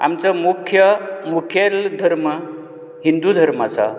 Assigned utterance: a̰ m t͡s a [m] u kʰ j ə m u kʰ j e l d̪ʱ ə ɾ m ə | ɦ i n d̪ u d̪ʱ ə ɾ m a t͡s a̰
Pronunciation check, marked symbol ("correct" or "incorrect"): correct